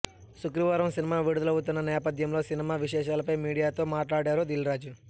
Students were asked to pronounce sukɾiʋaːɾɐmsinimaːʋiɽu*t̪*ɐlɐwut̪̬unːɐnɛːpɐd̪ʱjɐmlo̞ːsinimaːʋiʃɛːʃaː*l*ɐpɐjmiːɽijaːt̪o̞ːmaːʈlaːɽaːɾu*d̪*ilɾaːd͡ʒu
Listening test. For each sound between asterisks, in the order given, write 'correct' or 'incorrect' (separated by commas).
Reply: incorrect, correct, correct